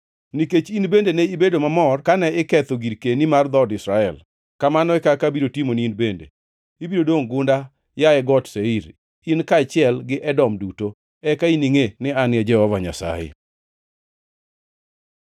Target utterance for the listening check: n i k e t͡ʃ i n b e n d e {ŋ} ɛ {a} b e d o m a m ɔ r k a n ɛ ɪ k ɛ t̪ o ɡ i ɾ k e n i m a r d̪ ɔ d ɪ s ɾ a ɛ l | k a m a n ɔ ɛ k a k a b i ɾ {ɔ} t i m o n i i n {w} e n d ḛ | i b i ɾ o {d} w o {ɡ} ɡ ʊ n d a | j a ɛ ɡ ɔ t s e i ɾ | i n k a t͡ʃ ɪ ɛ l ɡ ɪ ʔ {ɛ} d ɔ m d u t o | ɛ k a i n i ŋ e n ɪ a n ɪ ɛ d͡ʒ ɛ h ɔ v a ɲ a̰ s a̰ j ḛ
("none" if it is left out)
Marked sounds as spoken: n, i, o, b, d, ŋ, ɛ

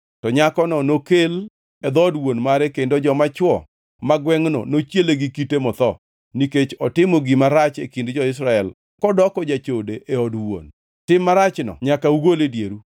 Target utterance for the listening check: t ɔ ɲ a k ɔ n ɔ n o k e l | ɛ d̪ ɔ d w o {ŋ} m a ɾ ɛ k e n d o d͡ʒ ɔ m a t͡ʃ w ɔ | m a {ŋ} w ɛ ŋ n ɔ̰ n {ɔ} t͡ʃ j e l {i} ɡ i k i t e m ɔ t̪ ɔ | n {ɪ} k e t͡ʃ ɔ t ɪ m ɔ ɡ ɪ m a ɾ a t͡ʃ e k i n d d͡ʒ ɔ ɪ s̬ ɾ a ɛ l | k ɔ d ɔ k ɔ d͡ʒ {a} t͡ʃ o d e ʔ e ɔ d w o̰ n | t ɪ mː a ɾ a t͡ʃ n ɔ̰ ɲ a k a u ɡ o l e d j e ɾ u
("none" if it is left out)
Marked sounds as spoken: n, ɡ, o, e, i, a

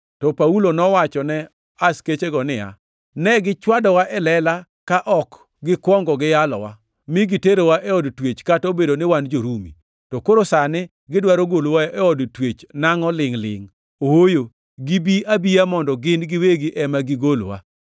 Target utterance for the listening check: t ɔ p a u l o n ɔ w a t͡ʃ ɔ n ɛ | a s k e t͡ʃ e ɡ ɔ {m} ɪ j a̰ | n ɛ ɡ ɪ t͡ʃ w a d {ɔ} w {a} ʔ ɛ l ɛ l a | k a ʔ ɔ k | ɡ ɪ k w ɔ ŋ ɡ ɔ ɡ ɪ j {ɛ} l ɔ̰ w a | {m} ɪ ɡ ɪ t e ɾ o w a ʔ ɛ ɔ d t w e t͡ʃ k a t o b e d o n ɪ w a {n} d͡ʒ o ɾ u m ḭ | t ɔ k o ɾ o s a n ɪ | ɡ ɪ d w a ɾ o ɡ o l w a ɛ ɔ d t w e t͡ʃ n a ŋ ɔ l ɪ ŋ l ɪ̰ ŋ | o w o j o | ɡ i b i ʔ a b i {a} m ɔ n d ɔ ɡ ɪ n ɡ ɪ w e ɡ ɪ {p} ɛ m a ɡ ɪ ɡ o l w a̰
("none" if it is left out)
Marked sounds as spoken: n, ɔ, a, a, m, n, a, ʔ

